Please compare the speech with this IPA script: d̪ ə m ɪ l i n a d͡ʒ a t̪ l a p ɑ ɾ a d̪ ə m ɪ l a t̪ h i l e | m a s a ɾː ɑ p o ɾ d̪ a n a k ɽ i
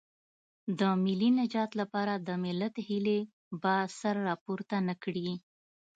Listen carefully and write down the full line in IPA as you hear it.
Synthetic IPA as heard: d̪ ə m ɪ l i n a d͡ʒ ɑ t̪ l a p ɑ ɾ a d̪ ə m ɪ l a t̪ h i l e | b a s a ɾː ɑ p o ɾ t̪ a n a k ɽ i